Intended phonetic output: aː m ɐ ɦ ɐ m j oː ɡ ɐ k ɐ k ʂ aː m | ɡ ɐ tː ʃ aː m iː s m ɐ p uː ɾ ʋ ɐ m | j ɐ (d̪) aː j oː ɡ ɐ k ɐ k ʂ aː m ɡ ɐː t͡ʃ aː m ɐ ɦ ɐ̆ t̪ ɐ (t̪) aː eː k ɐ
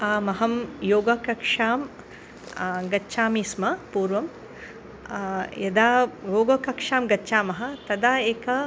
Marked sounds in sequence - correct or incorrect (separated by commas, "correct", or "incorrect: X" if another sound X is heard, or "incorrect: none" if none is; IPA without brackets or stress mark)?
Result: correct, incorrect: d̪